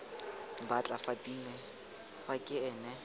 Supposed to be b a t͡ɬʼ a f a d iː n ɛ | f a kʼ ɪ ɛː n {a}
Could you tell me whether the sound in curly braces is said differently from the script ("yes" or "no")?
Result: yes